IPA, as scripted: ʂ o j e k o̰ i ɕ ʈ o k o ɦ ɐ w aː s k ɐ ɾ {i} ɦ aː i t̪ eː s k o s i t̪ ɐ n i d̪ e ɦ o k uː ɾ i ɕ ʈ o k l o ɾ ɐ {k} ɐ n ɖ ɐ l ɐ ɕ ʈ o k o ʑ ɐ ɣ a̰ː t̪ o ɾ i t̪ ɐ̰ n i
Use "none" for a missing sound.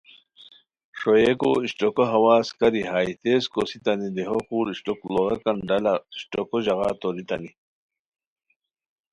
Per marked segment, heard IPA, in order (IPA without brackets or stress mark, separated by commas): i, k